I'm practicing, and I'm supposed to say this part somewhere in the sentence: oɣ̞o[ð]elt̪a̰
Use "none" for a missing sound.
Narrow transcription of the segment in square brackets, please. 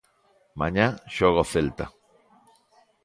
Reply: θ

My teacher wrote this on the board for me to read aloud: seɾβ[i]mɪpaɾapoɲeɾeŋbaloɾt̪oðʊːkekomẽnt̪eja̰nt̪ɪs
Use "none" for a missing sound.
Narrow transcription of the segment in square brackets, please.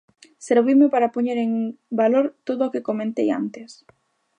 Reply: i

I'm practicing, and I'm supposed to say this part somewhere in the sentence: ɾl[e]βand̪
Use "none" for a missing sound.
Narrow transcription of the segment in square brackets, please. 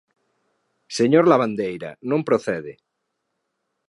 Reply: a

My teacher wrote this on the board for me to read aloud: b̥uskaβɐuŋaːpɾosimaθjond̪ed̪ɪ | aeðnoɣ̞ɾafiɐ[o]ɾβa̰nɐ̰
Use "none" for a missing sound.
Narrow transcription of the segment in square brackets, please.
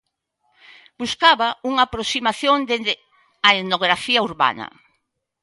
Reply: u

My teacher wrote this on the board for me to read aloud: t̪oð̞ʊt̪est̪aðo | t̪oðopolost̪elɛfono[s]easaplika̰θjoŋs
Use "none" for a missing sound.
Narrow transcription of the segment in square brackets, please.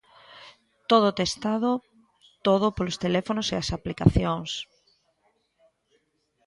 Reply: s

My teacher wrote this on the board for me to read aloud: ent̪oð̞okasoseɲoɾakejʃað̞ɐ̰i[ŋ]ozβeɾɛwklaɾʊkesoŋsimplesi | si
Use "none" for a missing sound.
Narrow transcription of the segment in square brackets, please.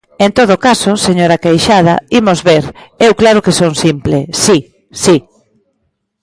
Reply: m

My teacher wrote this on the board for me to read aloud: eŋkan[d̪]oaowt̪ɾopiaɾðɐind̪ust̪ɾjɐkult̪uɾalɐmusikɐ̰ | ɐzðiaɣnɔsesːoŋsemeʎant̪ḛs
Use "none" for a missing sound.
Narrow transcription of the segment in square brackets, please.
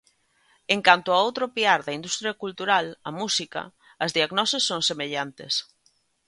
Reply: t̪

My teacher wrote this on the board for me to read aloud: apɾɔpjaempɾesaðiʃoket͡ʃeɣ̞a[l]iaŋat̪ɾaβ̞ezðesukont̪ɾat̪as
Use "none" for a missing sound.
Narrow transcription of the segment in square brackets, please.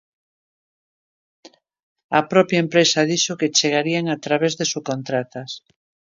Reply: ɾ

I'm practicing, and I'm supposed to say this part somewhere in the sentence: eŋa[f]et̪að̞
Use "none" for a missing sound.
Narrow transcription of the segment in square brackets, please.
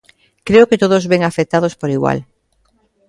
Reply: f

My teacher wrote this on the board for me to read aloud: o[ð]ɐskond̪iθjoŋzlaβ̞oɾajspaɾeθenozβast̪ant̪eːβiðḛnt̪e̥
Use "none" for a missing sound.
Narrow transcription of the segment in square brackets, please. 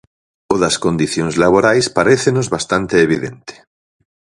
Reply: ð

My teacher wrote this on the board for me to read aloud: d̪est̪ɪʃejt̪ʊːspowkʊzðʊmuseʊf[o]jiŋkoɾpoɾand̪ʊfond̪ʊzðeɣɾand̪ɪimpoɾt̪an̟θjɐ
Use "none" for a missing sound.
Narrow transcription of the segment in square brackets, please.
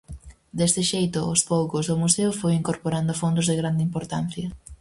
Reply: o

